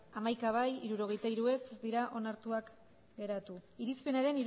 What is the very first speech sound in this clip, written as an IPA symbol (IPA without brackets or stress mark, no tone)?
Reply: a